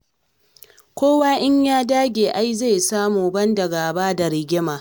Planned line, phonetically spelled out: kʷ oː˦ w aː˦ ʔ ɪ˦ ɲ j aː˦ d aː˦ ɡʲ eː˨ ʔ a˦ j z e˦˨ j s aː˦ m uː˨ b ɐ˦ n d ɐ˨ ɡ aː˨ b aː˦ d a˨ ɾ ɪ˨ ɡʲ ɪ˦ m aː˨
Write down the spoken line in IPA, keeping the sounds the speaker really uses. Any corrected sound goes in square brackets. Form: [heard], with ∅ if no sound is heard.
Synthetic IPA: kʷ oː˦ w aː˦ ʔ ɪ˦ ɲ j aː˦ d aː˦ ɡʲ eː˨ ʔ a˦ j z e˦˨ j s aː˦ m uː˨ b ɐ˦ n d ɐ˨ ɡ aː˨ b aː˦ d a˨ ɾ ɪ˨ ɡʲ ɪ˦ m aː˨